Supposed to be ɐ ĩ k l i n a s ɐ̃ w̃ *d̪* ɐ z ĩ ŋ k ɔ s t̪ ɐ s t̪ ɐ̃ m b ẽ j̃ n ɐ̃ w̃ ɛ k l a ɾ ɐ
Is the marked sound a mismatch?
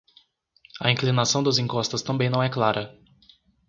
no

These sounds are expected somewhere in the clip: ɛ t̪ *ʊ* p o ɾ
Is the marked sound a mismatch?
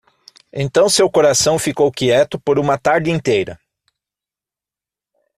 no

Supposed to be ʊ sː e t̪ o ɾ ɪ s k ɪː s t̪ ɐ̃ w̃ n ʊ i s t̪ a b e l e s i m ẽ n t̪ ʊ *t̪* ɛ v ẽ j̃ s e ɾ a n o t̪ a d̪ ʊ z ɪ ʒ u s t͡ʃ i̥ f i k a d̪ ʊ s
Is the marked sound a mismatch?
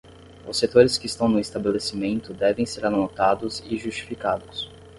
yes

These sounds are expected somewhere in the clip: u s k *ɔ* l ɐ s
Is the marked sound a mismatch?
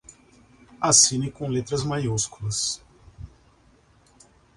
yes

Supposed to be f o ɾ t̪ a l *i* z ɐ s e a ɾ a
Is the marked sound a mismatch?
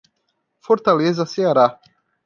yes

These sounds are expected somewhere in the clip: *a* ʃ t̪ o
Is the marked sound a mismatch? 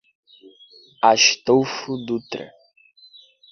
no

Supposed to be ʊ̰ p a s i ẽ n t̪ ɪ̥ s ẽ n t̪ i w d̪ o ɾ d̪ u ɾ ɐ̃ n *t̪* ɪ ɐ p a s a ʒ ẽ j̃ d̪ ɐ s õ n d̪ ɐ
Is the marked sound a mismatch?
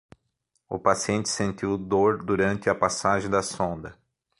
no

